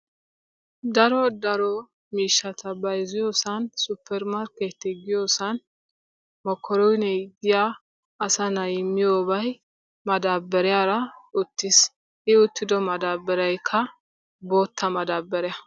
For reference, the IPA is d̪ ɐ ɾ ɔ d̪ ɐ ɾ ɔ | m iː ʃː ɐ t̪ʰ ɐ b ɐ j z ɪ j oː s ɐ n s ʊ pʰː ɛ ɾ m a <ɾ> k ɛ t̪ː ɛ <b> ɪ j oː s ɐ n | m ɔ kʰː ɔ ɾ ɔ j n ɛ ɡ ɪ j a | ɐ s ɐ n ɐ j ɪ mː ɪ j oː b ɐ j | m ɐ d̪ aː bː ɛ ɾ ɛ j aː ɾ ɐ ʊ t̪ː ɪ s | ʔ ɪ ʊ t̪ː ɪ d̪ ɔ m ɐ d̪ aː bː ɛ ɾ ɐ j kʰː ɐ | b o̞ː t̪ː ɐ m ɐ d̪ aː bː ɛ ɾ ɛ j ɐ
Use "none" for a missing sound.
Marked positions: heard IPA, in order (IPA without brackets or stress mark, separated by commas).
ɾ, ɡ